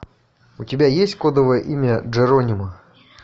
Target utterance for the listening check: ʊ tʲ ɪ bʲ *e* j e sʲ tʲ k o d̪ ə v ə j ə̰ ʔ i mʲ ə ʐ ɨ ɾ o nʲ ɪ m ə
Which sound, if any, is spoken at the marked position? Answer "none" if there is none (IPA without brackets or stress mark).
a